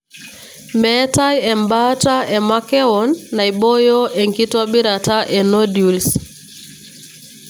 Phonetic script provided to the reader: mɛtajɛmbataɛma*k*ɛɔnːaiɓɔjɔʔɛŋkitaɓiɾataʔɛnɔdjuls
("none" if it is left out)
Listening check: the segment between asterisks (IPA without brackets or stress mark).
k